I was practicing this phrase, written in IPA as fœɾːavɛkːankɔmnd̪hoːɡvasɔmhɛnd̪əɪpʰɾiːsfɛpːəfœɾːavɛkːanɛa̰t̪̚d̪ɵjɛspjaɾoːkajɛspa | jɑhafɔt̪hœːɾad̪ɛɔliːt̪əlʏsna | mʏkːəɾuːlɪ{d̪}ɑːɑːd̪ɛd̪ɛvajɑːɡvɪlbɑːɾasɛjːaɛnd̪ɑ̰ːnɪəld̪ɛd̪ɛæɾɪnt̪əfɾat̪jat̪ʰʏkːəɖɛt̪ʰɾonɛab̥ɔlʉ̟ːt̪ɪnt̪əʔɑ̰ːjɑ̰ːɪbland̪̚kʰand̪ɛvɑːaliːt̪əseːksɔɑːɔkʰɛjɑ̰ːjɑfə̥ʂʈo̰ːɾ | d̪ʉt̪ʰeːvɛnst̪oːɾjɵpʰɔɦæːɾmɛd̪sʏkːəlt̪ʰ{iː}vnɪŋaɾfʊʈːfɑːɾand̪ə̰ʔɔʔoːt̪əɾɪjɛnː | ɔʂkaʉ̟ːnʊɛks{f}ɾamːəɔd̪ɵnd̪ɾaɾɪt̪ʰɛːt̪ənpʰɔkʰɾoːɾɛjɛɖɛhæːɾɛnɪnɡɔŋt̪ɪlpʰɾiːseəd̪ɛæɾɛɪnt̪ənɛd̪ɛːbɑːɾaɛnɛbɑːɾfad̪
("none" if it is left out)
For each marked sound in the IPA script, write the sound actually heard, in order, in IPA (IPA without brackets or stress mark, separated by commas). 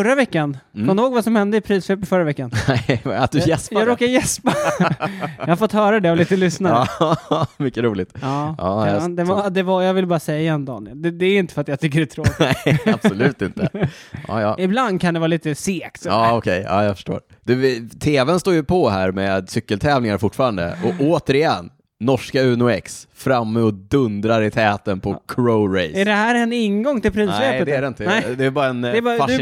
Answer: t̪, ɛː, f